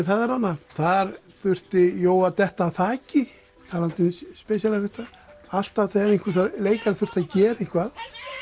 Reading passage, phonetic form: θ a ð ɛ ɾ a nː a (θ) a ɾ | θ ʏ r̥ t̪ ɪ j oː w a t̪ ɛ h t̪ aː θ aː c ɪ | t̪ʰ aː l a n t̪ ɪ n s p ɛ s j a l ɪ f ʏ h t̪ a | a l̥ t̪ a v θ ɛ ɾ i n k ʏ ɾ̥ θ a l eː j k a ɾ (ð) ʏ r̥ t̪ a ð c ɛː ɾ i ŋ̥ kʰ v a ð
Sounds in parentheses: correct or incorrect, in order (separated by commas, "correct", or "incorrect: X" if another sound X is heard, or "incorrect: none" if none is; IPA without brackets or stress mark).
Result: correct, incorrect: θ